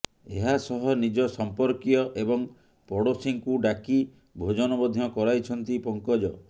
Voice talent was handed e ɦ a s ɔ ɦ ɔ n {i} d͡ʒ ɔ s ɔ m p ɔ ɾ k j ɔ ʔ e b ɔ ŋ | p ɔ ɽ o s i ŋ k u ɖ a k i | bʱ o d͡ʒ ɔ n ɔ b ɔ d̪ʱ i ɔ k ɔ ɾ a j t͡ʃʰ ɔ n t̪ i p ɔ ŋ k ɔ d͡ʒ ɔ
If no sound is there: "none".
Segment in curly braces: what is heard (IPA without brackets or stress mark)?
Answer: i